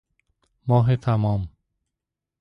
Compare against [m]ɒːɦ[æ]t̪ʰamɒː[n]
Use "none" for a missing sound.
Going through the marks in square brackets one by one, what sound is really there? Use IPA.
m, e, m

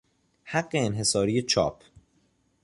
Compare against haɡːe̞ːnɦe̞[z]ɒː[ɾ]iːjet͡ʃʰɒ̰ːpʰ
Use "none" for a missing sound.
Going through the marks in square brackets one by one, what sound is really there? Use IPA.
s, ɾ

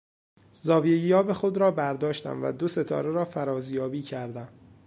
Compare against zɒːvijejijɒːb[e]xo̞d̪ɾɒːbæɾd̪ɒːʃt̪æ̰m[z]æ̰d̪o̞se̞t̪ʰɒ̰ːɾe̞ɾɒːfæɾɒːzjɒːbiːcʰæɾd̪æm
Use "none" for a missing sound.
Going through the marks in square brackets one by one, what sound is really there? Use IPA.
e, v

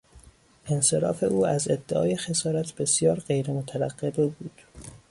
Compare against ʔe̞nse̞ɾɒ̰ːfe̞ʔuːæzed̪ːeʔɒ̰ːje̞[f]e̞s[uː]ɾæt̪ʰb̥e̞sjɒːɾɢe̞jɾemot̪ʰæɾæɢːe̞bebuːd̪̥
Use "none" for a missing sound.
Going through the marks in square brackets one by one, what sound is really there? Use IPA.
x, ɒː

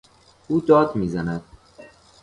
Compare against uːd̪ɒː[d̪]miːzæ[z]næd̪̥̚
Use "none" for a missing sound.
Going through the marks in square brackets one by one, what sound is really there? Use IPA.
d̪, none

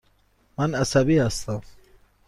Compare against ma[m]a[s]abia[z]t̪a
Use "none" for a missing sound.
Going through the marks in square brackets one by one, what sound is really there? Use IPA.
n, s, s

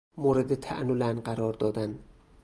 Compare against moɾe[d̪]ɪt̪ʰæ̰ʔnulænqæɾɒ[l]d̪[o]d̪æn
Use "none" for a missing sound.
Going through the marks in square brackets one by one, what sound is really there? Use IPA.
d̪, ɾ, ɒ

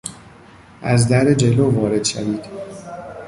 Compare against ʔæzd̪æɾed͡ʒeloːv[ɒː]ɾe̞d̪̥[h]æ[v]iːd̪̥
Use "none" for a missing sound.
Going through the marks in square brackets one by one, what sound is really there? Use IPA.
ɒː, ʃ, v

